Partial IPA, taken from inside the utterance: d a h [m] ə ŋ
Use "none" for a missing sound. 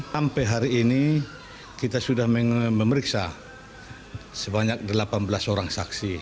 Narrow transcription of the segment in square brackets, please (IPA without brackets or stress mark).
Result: m